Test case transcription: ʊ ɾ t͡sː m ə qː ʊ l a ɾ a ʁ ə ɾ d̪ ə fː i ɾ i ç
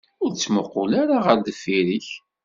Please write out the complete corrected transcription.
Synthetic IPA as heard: ʊ ɾ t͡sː m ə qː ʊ l a ɾ a ʁ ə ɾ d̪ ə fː i ɾ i ç